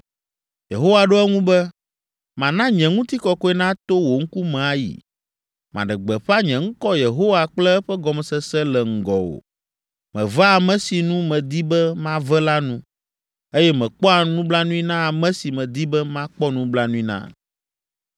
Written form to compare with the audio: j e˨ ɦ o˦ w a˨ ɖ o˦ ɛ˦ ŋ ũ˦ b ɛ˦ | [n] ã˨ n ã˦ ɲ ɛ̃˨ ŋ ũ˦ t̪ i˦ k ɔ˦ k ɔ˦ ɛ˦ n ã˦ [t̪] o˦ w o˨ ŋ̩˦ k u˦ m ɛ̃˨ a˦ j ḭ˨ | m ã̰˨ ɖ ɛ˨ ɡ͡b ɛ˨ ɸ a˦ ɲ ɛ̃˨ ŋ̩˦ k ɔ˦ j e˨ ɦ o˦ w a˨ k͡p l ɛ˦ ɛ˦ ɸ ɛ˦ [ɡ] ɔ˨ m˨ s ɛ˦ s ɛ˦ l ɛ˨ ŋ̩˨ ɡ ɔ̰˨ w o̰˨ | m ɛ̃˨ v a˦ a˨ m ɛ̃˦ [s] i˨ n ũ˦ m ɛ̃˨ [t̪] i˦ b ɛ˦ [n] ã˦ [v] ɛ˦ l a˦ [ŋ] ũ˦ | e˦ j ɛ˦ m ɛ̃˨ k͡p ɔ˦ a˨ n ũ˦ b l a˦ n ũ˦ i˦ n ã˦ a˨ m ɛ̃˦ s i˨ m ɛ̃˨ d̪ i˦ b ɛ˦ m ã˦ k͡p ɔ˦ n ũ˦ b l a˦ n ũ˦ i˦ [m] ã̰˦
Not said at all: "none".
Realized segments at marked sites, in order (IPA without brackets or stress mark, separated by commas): m, t̪, ɡ, s, d̪, m, v, n, n